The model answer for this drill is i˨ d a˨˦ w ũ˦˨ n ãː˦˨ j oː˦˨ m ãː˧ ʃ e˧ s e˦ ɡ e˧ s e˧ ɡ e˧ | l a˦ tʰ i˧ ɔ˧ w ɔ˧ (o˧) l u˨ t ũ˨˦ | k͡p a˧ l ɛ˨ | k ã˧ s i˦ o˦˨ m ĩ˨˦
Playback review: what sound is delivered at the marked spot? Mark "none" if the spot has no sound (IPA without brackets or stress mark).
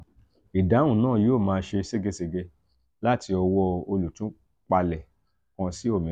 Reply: o˧